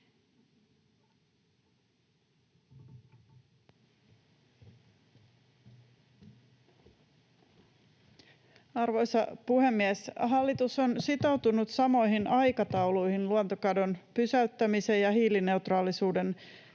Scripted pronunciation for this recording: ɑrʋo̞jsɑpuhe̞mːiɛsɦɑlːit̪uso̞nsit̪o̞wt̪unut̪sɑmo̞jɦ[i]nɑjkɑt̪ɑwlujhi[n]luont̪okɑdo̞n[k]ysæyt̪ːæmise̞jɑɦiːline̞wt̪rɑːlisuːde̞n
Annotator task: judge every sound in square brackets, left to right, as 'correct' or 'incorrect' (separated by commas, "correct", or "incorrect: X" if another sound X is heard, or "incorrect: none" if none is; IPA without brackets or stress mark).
correct, correct, incorrect: p